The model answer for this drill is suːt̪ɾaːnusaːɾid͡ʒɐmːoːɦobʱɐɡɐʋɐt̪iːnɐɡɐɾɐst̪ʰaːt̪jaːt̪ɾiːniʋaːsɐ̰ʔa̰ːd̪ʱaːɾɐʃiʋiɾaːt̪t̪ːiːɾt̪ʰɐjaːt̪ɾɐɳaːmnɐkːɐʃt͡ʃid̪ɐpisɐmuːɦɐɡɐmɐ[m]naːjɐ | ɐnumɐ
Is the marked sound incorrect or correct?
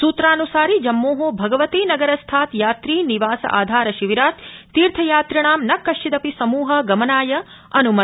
incorrect